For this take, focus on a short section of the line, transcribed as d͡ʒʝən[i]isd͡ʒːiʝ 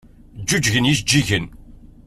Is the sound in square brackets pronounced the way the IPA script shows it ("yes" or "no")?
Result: no